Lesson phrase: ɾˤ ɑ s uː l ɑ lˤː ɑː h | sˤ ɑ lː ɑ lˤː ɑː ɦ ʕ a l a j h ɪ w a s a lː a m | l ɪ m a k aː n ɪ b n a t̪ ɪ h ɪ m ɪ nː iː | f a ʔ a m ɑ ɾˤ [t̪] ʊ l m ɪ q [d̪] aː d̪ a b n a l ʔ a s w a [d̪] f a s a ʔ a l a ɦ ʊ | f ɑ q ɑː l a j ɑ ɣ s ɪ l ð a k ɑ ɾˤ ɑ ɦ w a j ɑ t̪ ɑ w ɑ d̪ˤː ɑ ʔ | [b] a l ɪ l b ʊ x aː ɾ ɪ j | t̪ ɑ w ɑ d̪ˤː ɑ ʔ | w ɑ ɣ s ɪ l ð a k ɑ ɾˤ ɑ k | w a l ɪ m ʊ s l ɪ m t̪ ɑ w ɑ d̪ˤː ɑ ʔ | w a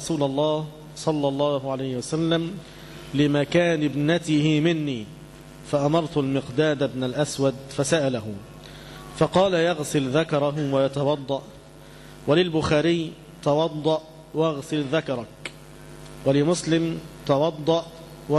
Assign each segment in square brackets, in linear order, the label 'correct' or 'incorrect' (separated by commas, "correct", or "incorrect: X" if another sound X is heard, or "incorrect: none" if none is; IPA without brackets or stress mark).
correct, correct, correct, incorrect: w